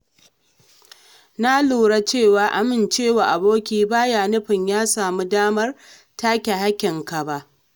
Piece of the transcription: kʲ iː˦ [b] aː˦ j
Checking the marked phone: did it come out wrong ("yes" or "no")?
no